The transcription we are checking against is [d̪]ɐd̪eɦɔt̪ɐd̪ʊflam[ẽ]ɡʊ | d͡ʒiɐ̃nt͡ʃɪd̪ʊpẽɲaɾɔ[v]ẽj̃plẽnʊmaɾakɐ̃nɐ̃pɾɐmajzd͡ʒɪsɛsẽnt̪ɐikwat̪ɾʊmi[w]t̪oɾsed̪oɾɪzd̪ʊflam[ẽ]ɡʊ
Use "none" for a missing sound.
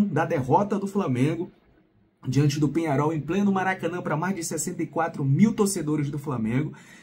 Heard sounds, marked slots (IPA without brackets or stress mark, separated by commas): d̪, ẽ, w, w, ẽ